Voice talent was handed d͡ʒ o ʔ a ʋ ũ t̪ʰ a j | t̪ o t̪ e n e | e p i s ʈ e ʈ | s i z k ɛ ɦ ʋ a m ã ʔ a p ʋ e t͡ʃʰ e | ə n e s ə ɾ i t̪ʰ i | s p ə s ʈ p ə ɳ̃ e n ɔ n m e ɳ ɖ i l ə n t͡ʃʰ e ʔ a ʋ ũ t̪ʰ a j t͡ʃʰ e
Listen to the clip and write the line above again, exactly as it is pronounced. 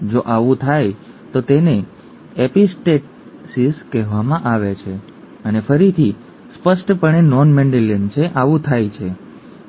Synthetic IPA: d͡ʒ o ʔ a ʋ ũ t̪ʰ a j | t̪ o t̪ e n e | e p i s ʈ e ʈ | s i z k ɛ ɦ ʋ a m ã ʔ a ʋ e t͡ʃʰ e | ə n e f ə ɾ i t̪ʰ i | s p ə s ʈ p ə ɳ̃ e n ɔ n m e ɳ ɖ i l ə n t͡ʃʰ e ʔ a ʋ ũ t̪ʰ a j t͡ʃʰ e